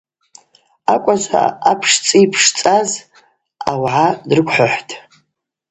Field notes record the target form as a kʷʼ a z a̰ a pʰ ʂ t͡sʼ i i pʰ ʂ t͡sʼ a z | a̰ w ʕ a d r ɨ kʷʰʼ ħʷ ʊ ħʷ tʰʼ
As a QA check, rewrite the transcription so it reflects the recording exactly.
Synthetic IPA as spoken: a kʷʼ a z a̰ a pʰ ʂ t͡sʼ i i pʰ ʂ t͡sʼ a z | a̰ w ʕ a d r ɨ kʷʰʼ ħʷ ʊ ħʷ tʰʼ